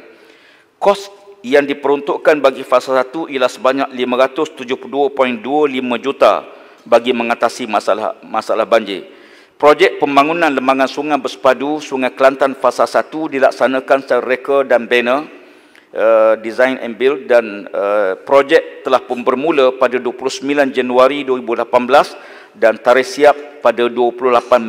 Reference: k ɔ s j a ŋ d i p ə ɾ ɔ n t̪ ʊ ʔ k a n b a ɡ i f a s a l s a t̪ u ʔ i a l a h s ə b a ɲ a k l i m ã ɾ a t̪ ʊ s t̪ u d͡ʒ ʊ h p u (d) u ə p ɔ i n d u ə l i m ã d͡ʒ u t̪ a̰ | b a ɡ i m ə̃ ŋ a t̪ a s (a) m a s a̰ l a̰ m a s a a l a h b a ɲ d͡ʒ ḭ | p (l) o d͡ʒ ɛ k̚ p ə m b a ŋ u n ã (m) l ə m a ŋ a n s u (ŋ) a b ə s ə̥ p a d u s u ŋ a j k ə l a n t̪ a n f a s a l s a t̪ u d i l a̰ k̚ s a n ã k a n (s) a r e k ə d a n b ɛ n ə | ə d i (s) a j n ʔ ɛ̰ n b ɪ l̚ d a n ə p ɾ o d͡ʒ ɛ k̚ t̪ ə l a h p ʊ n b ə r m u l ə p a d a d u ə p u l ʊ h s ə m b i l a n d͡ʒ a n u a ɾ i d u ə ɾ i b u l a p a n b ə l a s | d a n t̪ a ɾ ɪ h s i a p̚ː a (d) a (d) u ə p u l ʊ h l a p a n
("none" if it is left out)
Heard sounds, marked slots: d, i, ɾ, n, ŋ, s, z, d, d

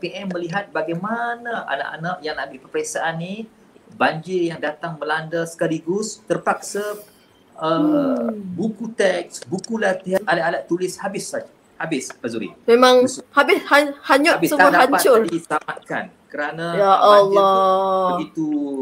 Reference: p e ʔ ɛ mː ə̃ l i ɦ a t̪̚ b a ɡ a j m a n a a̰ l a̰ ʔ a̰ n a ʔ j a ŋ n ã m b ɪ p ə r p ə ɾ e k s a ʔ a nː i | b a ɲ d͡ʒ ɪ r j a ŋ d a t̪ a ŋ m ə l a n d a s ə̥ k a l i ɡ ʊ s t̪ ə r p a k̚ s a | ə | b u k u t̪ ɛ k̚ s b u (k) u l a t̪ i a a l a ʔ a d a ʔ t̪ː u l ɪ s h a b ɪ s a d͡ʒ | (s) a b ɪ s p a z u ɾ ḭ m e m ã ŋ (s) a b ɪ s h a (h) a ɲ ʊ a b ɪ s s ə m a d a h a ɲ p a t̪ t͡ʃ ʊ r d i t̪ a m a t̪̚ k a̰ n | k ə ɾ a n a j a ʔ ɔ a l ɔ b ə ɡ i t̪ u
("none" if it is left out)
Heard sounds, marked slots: k, h, h, h

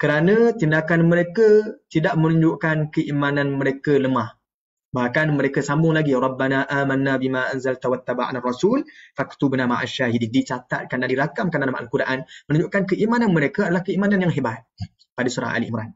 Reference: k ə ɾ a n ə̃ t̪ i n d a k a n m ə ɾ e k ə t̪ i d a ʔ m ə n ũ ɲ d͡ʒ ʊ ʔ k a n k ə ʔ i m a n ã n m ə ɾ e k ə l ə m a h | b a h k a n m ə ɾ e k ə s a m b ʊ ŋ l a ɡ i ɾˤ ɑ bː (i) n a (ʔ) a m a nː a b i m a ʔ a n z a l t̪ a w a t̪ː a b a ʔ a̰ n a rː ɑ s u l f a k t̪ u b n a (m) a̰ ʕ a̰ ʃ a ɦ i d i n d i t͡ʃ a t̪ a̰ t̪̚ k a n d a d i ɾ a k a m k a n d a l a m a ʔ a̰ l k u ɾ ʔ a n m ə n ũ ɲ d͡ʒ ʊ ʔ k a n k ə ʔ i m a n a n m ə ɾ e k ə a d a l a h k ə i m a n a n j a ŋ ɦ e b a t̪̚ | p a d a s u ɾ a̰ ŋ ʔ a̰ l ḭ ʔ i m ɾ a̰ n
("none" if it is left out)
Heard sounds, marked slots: a, ʔ, m

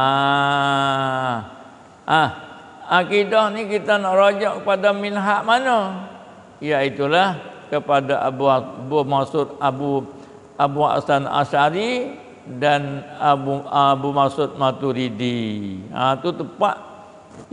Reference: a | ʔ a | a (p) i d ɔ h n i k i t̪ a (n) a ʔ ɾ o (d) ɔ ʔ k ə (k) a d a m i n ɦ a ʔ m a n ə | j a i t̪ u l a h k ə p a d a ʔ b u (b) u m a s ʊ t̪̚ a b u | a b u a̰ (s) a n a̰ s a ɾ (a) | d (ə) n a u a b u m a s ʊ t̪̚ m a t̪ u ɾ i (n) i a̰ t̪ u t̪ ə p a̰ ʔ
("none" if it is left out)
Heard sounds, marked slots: k, n, d͡ʒ, p, b, s, i, a, d

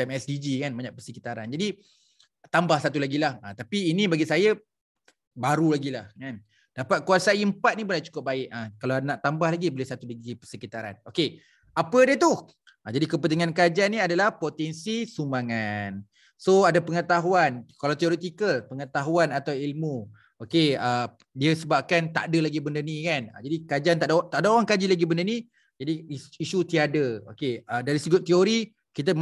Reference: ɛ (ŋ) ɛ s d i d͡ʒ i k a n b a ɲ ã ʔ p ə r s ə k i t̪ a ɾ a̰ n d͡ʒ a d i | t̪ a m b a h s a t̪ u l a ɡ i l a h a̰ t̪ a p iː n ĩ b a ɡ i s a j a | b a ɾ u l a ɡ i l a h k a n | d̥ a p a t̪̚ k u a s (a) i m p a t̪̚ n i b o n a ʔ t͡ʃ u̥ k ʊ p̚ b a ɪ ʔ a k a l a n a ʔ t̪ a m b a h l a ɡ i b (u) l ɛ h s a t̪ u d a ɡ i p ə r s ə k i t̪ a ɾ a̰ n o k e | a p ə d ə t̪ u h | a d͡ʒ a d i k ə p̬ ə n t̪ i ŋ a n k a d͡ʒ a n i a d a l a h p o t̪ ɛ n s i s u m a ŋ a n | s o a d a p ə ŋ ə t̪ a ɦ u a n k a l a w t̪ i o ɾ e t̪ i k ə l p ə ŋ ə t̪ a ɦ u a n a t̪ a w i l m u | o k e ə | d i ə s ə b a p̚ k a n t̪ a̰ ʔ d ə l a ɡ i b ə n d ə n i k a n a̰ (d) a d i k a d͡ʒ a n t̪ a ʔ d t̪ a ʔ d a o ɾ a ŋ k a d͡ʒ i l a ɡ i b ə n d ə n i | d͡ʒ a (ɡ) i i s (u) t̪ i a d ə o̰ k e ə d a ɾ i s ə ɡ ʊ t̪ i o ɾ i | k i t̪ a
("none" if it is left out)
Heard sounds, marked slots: m, a, o, d͡ʒ, d, u

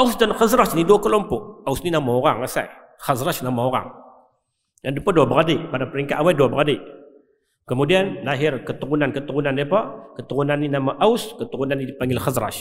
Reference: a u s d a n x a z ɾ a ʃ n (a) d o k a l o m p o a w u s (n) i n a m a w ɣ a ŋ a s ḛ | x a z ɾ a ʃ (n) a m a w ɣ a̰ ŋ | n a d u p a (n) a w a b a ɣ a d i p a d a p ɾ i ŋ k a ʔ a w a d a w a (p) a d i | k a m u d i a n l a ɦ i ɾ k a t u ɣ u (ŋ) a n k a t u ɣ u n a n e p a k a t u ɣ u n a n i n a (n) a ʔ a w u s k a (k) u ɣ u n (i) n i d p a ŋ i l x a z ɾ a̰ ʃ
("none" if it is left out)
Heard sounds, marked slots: i, n, n, d, b, n, m, t, a

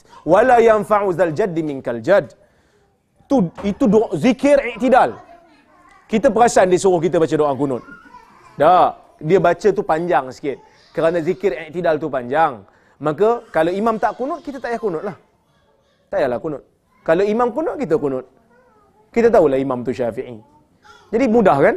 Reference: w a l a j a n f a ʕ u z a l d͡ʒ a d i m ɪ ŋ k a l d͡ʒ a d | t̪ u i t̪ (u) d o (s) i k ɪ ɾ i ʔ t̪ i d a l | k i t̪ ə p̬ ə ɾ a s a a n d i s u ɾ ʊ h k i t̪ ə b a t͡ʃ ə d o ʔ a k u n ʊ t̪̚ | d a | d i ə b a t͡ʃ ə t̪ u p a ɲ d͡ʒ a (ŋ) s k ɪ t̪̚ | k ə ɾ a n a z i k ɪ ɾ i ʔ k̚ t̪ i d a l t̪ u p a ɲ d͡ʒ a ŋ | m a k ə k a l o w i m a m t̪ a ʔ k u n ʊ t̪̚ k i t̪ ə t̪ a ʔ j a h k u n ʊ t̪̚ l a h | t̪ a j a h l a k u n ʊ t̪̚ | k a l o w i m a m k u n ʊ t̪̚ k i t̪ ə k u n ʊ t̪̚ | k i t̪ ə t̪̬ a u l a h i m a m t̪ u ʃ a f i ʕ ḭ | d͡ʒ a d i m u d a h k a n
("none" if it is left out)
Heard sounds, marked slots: u, z, ŋ

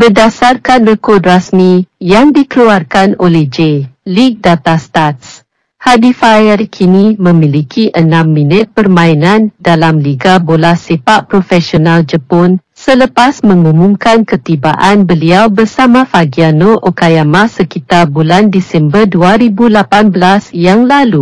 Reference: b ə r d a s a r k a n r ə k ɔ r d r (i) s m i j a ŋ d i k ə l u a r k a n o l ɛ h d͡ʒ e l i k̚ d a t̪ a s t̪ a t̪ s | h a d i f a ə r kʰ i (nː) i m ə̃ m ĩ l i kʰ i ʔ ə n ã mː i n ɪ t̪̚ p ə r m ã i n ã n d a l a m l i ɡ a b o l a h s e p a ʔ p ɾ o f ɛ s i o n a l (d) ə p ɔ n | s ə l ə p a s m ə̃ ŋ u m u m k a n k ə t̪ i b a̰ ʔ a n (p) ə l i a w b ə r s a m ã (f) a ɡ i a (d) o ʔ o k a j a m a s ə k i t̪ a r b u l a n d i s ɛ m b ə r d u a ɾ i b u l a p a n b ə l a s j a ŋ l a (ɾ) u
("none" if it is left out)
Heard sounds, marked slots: a, n, d͡ʒ, b, f, n, l

